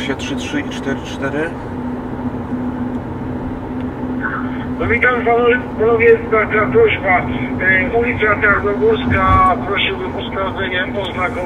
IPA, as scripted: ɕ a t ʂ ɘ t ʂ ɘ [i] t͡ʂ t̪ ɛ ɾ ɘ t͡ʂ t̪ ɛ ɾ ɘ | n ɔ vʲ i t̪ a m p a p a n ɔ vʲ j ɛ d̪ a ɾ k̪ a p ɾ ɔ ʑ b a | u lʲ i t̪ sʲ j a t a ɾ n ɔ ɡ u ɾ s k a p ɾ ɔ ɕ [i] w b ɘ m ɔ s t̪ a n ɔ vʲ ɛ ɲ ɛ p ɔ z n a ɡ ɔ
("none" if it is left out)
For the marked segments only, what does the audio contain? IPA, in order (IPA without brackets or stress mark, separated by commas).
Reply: i, i